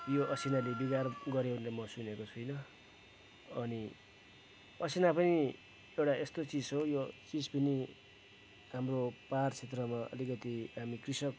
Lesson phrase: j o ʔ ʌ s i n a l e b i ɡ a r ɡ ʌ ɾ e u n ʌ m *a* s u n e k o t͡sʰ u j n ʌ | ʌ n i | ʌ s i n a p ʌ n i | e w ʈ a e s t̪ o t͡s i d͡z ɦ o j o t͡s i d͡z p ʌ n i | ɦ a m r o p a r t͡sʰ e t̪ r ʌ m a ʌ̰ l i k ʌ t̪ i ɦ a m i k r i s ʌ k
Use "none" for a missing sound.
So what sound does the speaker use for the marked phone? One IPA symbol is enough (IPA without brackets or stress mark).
ʌ